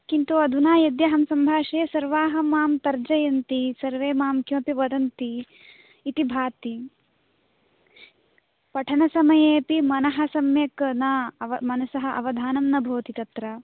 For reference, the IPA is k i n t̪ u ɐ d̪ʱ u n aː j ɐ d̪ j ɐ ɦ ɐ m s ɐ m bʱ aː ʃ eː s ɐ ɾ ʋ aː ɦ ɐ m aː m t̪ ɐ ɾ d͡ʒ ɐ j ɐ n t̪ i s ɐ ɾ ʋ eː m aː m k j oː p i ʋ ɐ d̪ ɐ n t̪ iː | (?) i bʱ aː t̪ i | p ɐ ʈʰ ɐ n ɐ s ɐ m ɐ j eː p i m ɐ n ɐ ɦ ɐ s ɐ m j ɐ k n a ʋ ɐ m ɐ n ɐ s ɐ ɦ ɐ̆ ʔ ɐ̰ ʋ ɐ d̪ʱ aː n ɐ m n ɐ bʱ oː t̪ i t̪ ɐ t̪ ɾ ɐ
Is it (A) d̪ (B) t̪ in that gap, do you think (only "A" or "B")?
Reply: B